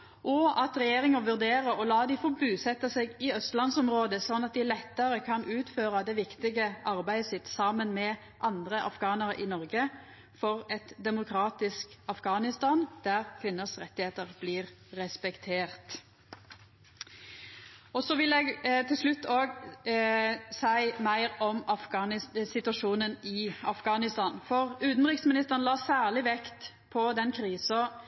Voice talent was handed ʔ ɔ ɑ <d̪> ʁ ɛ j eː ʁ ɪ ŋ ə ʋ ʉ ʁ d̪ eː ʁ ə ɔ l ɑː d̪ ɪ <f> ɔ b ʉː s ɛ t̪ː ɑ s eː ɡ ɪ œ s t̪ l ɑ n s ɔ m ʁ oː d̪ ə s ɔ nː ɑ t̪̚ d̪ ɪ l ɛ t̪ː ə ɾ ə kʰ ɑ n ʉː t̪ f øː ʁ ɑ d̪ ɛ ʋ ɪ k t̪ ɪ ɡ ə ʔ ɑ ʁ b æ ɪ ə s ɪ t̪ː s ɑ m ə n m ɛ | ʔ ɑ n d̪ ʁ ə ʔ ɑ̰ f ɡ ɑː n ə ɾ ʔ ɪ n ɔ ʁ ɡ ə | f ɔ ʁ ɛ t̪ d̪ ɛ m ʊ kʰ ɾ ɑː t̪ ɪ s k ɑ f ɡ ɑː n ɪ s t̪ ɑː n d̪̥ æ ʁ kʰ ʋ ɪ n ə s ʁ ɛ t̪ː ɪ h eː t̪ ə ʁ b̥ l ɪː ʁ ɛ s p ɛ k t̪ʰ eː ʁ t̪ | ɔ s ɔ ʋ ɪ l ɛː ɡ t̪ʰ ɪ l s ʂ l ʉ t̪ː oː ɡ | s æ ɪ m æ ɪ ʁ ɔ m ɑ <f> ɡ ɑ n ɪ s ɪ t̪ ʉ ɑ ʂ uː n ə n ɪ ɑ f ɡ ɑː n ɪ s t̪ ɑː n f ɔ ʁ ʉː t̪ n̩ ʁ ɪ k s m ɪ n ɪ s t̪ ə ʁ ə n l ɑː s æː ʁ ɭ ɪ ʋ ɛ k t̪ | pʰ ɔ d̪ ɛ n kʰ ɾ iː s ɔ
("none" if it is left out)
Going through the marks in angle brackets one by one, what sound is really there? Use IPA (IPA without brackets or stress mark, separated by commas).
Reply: t̪, f, f